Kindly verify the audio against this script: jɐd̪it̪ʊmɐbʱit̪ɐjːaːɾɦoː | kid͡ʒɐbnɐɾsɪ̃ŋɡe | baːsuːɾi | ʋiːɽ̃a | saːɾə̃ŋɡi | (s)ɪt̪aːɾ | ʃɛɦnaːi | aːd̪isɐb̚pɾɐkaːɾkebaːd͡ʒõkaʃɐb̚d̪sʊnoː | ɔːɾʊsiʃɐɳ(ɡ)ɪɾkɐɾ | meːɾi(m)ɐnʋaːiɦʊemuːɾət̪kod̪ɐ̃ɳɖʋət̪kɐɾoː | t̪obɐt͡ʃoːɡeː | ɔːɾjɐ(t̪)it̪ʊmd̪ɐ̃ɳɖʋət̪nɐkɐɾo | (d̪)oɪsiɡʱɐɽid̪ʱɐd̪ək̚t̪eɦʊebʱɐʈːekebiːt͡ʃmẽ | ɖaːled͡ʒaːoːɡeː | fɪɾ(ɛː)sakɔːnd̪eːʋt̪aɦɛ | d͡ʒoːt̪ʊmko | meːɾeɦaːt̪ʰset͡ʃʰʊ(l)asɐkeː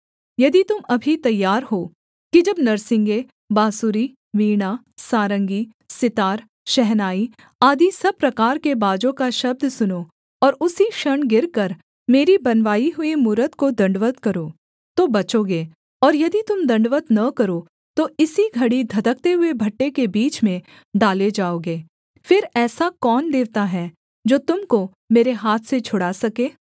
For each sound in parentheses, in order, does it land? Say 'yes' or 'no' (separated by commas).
yes, yes, no, no, no, yes, no